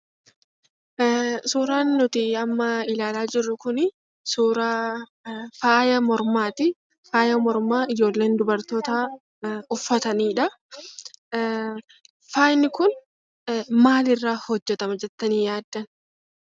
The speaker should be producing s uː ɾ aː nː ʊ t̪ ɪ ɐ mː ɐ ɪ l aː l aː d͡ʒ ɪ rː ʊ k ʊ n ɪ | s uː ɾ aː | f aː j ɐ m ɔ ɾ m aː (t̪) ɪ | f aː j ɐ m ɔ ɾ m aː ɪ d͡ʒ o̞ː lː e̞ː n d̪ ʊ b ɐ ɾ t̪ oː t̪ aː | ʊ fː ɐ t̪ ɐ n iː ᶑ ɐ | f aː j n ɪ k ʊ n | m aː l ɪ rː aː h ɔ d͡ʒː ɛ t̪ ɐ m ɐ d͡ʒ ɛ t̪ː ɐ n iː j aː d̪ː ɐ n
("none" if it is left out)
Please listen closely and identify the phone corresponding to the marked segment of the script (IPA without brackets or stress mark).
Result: t̪